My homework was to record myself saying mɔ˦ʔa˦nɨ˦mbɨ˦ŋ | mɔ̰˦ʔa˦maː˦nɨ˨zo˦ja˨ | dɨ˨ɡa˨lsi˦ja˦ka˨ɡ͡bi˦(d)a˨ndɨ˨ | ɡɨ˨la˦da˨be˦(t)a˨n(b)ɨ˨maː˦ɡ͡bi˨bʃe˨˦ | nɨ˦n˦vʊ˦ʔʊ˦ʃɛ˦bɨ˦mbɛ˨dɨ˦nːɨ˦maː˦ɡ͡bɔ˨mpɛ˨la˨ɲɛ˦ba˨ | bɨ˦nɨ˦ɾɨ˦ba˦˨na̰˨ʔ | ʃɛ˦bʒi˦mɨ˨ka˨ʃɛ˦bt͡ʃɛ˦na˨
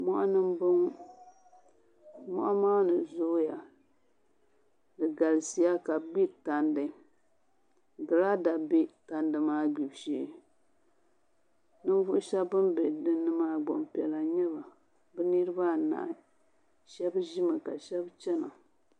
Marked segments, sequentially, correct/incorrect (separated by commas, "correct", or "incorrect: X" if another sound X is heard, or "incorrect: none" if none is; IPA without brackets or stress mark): incorrect: t, correct, incorrect: d